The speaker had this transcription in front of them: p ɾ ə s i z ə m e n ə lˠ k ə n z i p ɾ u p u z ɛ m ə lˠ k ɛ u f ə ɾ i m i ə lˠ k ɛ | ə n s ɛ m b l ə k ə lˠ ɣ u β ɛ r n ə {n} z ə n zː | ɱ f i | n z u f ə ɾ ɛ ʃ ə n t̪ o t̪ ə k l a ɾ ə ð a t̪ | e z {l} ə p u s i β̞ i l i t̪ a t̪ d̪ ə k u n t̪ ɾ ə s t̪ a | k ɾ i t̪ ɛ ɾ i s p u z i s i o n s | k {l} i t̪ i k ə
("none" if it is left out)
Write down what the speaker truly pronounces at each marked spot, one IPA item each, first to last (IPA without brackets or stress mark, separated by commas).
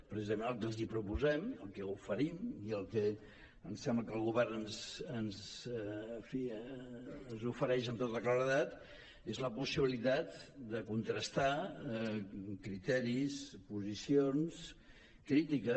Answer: n, l, ɾ